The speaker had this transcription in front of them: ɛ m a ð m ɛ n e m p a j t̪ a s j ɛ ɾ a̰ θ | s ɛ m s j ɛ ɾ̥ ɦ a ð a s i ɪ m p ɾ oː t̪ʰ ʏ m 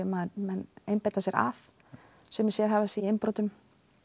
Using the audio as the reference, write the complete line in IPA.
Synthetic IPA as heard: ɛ m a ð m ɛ n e m p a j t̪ a s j ɛ ɾ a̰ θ | s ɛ m s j ɛ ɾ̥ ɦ a v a s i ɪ m p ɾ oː t̪ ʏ m